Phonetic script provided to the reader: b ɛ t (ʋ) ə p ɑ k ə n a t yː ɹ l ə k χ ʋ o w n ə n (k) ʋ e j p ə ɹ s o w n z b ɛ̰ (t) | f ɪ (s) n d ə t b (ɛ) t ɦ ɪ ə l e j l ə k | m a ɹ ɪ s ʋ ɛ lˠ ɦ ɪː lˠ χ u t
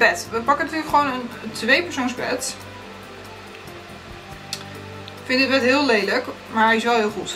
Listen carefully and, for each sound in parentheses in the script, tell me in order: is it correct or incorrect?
correct, incorrect: t, correct, incorrect: none, correct

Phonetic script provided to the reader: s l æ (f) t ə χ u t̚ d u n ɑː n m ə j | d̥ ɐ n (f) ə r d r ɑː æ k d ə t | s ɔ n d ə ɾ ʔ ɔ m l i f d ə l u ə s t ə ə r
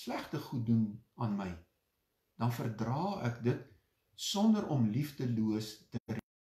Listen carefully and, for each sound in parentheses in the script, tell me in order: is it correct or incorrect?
incorrect: χ, correct

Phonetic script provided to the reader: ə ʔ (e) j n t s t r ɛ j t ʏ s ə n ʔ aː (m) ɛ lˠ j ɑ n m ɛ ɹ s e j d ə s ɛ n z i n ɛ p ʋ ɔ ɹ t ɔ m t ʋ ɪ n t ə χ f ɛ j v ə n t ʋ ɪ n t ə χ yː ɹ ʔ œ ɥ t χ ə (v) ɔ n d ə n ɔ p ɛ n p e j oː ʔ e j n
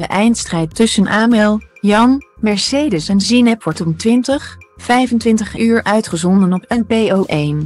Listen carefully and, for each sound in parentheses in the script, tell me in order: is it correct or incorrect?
incorrect: ɛ, correct, incorrect: z

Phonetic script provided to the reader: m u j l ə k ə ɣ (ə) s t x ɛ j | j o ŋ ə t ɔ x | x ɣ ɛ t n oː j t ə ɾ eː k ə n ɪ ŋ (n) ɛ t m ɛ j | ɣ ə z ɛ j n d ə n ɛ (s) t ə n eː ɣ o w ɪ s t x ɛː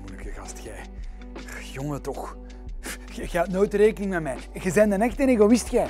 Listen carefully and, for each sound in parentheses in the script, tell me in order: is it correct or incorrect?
incorrect: ɑ, incorrect: m, incorrect: x

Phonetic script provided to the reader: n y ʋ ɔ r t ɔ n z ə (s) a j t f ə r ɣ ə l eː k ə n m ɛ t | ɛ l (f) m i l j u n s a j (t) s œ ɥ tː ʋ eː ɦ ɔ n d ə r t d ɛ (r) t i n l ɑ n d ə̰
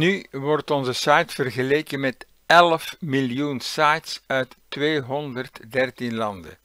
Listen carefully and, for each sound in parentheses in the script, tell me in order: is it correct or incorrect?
correct, correct, correct, correct

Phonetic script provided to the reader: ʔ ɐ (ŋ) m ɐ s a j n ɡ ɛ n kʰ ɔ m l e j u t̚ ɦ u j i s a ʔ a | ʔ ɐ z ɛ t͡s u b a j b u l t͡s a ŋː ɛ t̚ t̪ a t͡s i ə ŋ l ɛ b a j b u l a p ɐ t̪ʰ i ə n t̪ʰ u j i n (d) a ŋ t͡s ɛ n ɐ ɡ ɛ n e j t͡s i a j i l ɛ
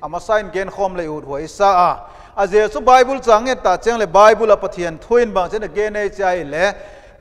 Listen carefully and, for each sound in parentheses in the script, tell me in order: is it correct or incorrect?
incorrect: none, incorrect: b

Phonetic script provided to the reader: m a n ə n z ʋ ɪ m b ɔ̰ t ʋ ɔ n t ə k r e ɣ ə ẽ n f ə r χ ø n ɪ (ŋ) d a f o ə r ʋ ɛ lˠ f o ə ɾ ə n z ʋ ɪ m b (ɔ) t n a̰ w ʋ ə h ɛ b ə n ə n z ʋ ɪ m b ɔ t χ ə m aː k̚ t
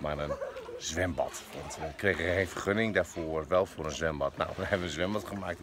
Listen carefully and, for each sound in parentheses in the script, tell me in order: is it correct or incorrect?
correct, correct

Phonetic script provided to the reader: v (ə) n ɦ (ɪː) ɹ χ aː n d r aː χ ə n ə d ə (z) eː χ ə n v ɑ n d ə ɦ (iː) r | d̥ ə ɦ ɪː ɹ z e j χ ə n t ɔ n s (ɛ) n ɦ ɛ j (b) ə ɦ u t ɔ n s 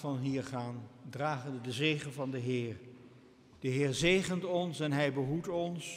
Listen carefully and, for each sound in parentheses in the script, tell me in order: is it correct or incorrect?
incorrect: ɑ, incorrect: iː, correct, incorrect: ɪː, correct, correct

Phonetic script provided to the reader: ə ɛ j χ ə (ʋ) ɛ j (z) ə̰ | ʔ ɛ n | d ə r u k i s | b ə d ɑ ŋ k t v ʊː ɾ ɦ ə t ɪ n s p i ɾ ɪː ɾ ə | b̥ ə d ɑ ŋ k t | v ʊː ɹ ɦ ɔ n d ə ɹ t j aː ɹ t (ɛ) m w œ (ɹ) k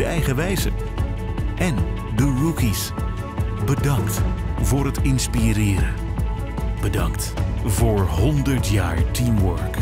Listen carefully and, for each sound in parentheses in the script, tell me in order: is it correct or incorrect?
correct, correct, incorrect: i, correct

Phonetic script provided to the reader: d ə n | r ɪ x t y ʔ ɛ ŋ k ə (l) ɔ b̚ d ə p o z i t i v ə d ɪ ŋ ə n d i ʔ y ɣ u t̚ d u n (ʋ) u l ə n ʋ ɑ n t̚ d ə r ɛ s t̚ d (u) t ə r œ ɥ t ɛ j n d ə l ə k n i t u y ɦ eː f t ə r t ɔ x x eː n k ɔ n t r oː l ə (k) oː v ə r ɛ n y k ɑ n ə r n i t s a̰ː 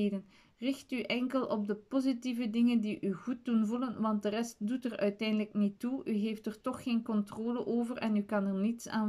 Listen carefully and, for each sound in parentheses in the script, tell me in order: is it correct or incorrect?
correct, incorrect: v, correct, incorrect: ʔ

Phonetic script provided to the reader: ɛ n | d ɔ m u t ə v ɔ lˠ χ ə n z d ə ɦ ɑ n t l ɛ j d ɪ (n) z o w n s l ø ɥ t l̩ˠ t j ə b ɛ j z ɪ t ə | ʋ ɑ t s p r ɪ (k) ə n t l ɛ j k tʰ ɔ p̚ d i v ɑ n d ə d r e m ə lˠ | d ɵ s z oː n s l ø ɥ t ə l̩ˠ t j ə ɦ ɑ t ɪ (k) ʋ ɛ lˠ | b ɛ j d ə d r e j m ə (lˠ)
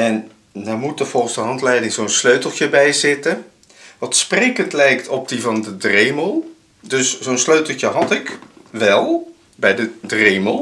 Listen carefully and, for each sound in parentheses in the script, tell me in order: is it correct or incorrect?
incorrect: ŋ, correct, correct, correct

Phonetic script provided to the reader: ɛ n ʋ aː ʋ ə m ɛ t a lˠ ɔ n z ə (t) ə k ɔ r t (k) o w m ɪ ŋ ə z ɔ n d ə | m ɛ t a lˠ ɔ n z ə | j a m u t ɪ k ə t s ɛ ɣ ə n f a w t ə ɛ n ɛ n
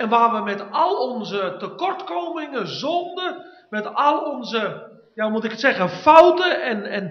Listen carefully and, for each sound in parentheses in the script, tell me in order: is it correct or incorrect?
correct, correct

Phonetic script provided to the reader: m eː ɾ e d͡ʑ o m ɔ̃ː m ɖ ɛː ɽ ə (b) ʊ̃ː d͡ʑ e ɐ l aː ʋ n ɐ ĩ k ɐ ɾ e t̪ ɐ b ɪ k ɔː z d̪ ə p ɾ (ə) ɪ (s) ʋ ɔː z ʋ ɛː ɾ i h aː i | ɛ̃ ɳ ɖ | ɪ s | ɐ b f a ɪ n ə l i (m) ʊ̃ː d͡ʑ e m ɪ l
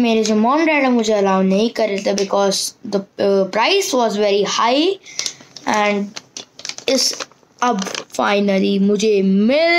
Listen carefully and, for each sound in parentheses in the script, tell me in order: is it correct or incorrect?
incorrect: m, incorrect: a, correct, correct

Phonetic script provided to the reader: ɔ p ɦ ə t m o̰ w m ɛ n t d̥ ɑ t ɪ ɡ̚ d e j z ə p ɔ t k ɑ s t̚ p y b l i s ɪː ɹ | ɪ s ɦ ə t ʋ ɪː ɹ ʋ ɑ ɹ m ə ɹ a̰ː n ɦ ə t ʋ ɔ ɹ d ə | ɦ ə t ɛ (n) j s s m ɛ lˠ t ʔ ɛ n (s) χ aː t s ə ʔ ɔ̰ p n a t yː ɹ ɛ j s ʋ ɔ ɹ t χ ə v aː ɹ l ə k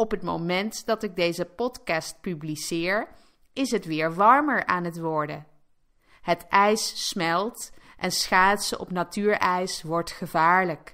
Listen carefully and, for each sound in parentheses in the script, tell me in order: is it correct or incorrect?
incorrect: none, correct

